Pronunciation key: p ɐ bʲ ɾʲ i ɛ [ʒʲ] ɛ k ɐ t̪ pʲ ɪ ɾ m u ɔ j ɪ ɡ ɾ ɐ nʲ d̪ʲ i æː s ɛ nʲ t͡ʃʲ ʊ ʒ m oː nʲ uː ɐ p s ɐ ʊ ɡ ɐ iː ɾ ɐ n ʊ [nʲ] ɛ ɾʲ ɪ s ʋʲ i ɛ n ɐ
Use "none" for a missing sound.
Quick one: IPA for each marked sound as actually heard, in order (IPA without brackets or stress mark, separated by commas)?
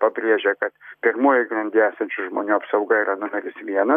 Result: ʒʲ, mʲ